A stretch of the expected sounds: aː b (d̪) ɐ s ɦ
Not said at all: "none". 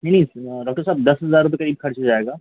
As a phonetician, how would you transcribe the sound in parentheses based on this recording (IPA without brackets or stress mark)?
d̪